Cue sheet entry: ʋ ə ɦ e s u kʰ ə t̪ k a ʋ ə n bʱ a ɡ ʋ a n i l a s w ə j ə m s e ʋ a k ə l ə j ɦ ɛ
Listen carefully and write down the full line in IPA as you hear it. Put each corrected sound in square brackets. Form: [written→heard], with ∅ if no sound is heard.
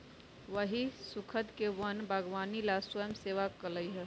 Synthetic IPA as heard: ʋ ə ɦ [e→i] s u kʰ ə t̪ k [a→e] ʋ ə n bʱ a ɡ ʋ a n i l a s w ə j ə m s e ʋ a k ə l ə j ɦ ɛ